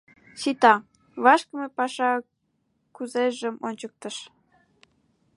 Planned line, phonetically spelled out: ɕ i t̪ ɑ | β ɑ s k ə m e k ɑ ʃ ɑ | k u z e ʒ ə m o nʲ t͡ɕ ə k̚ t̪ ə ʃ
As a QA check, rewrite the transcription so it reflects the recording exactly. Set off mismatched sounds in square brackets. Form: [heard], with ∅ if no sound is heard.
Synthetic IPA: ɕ i t̪ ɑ | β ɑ [ʃ] k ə m e [p] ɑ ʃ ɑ | k u z e ʒ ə m o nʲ t͡ɕ ə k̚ t̪ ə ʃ